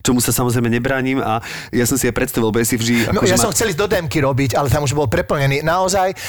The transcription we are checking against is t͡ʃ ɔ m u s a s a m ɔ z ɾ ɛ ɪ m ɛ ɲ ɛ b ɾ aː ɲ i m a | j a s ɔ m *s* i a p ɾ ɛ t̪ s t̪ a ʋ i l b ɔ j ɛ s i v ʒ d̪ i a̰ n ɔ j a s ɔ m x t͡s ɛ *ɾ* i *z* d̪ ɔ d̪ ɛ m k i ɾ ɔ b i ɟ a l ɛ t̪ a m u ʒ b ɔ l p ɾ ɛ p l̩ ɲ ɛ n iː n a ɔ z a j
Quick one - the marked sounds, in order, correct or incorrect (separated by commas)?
correct, incorrect, correct